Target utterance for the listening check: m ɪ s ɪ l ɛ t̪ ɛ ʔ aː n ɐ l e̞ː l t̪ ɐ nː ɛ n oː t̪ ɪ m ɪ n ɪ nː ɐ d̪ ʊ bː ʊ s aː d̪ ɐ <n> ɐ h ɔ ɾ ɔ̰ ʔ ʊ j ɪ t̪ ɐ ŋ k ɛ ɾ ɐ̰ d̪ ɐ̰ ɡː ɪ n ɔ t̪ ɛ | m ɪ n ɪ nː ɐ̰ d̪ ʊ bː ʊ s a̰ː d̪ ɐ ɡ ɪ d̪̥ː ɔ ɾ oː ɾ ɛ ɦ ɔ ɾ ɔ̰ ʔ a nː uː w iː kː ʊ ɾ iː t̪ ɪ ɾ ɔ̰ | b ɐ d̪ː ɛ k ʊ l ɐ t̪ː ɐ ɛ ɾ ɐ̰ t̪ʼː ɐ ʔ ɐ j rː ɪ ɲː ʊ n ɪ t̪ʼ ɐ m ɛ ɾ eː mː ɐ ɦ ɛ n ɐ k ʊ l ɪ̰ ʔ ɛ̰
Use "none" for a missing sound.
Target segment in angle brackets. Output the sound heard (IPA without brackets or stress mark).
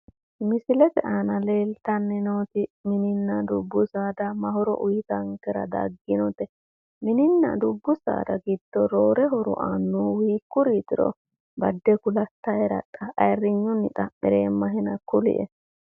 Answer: m